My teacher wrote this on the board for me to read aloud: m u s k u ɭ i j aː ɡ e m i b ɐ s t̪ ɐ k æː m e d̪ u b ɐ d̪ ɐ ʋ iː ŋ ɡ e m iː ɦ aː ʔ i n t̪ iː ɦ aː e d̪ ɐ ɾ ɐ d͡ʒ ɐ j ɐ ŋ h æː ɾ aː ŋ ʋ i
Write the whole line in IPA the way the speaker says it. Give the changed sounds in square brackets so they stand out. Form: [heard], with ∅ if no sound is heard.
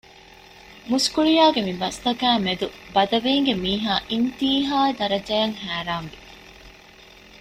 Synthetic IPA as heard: m u s k u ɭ i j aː ɡ e m i b ɐ s t̪ ɐ k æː m e d̪ u b ɐ d̪ ɐ ʋ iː ŋ ɡ e m iː ɦ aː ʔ i n t̪ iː ɦ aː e d̪ ɐ ɾ ɐ d͡ʒ ɐ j ɐ ŋ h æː ɾ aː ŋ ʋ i